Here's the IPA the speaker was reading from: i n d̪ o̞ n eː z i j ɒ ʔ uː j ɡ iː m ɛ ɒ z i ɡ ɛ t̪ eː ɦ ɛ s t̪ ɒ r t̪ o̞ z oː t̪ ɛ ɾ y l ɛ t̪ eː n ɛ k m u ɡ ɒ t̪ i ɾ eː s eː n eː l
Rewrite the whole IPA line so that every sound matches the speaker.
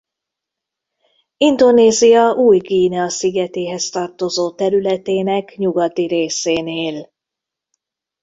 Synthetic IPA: i n d̪ o̞ n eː z i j ɒ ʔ uː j ɡ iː n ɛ ɒ s i ɡ ɛ t̪ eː ɦ ɛ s t̪ ɒ r t̪ o̞ z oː t̪ ɛ ɾ y l ɛ t̪ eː n ɛ k ɲ u ɡ ɒ t̪ i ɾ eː s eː n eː l